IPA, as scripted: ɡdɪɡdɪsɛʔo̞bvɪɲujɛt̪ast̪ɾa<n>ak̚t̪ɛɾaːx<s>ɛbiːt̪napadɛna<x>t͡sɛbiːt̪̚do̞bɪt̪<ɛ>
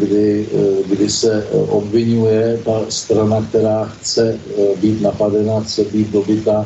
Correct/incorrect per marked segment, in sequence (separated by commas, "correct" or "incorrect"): correct, incorrect, correct, incorrect